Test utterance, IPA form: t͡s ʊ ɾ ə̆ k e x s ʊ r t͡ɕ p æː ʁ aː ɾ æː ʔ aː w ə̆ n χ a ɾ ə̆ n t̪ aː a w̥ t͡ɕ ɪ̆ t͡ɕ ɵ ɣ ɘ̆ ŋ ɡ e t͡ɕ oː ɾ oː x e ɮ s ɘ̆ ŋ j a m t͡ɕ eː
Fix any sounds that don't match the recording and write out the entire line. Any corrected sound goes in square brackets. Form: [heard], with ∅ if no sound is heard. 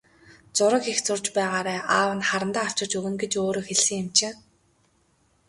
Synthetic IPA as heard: t͡s ʊ ɾ ə̆ k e x [t͡s] ʊ r t͡ɕ p æː ʁ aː ɾ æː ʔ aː w ə̆ n χ a ɾ ə̆ n t̪ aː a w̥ t͡ɕ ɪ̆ t͡ɕ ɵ ɣ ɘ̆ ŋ ɡ e t͡ɕ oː ɾ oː x e ɮ s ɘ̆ ŋ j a m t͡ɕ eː